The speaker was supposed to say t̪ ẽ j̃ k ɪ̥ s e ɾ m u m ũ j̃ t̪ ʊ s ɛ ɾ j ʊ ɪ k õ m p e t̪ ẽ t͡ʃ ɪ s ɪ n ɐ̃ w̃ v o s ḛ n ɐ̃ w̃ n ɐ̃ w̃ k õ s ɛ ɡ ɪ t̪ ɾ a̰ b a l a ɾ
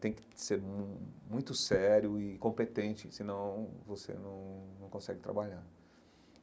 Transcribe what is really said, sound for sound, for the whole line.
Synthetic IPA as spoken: t̪ ẽ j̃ k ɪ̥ s e ɾ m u m ũ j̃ t̪ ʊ s ɛ ɾ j ʊ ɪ k õ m p e t̪ ẽ t͡ʃ ɪ s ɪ n ɐ̃ w̃ v o s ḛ n ɐ̃ w̃ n ɐ̃ w̃ k õ s ɛ ɡ ɪ t̪ ɾ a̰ b a ʎ a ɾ

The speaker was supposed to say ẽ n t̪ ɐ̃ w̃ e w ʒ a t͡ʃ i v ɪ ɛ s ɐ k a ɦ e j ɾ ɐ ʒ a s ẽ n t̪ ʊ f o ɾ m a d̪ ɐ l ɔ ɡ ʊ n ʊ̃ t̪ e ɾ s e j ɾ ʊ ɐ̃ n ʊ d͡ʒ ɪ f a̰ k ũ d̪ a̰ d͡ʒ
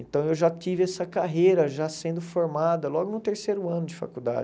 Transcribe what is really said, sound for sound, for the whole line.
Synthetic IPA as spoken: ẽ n t̪ ɐ̃ w̃ e w ʒ a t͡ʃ i v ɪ ɛ s ɐ k a ɦ e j ɾ ɐ ʒ a s ẽ n d̪ ʊ f o ɾ m a d̪ ɐ l ɔ ɡ ʊ n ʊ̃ t̪ e ɾ s e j ɾ ʊ ɐ̃ n ʊ d͡ʒ ɪ f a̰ k u d̪ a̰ d͡ʒ

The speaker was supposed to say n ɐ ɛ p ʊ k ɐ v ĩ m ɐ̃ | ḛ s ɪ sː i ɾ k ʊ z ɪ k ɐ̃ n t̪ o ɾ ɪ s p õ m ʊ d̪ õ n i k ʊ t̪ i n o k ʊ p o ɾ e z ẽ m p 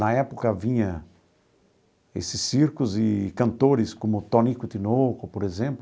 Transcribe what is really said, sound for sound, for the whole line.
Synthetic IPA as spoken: n ɐ ɛ p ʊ k ɐ v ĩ ɲ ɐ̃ | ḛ s ɪ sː i ɾ k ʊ z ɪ k ɐ̃ n t̪ o ɾ ɪ s k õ m ʊ t̪ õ n i k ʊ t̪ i n o k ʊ p o ɾ e z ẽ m p

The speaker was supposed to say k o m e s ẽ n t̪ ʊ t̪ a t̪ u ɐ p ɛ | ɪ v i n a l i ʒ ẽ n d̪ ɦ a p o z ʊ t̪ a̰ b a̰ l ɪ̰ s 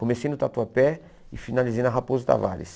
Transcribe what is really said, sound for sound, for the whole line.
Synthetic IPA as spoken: k o m e s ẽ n d̪ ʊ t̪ a t̪ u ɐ p ɛ | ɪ f i n a l i z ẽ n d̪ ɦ a p o z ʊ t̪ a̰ v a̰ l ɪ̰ s

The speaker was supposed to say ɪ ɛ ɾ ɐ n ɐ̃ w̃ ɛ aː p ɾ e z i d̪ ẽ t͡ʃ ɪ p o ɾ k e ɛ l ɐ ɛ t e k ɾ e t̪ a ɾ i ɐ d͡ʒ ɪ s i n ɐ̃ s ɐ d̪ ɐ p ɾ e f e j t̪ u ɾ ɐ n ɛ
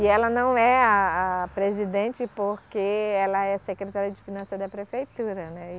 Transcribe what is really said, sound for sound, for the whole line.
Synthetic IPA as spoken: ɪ ɛ l ɐ n ɐ̃ w̃ ɛ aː p ɾ e z i d̪ ẽ t͡ʃ ɪ p o ɾ k e ɛ l ɐ ɛ s e k ɾ e t̪ a ɾ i ɐ d͡ʒ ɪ f i n ɐ̃ s ɐ d̪ ɐ p ɾ e f e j t̪ u ɾ ɐ n ɛ

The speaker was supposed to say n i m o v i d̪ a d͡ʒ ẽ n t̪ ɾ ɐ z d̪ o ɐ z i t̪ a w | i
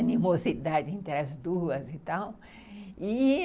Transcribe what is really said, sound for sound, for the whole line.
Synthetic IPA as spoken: n i m o z i d̪ a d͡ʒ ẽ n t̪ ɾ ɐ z d̪ u ɐ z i t̪ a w | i

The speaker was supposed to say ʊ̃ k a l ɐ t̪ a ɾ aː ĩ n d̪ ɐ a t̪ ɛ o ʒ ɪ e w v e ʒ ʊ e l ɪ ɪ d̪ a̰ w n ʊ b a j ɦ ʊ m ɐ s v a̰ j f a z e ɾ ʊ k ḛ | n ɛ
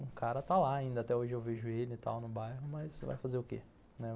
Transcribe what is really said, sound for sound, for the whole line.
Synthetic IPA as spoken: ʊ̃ k a ɾ ɐ t̪ a l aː ĩ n d̪ ɐ a t̪ ɛ o ʒ ɪ e w v e ʒ ʊ e l ɪ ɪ t̪ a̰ w n ʊ b a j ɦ ʊ m ɐ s v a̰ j f a z e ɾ ʊ k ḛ | n ɛ

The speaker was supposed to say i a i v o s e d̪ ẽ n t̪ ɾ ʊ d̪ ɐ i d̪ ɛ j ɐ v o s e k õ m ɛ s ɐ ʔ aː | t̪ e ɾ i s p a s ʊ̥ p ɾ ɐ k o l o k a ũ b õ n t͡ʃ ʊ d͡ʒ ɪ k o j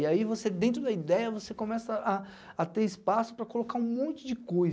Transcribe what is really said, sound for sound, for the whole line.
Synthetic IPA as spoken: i a i v o s e d̪ ẽ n t̪ ɾ ʊ d̪ ɐ i d̪ ɛ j ɐ v o s e k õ m ɛ s ɐ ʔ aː | t̪ e ɾ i s p a s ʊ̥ p ɾ ɐ k o l o k a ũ m õ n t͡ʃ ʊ d͡ʒ ɪ k o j

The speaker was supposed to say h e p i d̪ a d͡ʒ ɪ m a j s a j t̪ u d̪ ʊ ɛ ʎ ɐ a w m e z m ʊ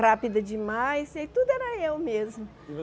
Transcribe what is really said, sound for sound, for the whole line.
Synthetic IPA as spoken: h a p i d̪ ɐ d͡ʒ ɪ m a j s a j t̪ u d̪ ʊ ɛ ɾ ɐ e w m e z m ʊ

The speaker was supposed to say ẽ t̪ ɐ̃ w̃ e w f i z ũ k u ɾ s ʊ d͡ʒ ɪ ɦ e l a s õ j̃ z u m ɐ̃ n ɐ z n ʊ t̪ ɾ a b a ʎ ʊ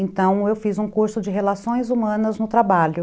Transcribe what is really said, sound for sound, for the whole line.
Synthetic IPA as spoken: ẽ t̪ ɐ̃ w̃ e w f i z ũ k u ɾ s ʊ d͡ʒ ɪ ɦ e l a s õ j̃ z u m ɐ̃ n ɐ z n ʊ t̪ ɾ a b a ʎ ʊ

